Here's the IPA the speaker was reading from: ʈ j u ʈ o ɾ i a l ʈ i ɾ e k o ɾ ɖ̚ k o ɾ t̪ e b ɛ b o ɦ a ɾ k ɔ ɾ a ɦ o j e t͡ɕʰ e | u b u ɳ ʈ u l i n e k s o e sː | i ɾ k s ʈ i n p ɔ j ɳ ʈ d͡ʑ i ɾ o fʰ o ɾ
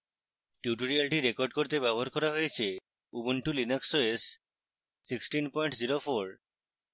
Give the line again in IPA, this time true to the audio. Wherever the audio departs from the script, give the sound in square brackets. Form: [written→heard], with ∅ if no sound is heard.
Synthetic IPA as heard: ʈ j u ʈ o ɾ i a l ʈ i ɾ e k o ɾ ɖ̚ k o ɾ t̪ e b ɛ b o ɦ a ɾ k ɔ ɾ a ɦ o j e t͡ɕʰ e | u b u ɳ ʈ u l i n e k s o e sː | i [ɾ→∅] k s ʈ i n p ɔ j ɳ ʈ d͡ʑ i ɾ o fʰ o ɾ